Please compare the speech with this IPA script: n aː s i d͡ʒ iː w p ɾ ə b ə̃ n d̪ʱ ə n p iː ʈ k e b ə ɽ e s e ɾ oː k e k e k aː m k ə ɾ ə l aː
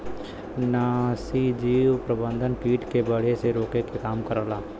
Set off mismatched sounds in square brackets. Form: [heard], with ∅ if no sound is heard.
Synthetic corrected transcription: n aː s i d͡ʒ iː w p ɾ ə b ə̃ n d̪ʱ ə n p iː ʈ k e b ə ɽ e s e ɾ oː k e k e k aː m k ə ɾ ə l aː